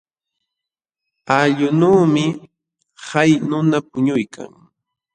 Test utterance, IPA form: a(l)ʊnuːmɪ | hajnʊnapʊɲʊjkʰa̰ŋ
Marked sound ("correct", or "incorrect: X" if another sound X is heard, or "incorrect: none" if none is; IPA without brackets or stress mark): incorrect: ʎ